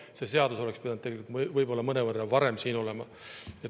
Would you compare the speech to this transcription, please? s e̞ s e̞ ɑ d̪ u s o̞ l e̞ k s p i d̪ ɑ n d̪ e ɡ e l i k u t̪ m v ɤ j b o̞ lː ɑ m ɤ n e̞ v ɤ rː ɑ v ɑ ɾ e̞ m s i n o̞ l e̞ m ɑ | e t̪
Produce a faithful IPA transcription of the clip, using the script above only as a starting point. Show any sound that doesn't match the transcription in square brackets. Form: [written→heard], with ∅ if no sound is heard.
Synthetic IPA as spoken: s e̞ s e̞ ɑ d̪ u s o̞ l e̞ k s p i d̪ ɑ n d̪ e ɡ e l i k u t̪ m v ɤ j b o̞ lː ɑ m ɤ n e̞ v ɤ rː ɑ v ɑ ɾ e̞ m s [i→iː] n o̞ l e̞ m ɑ | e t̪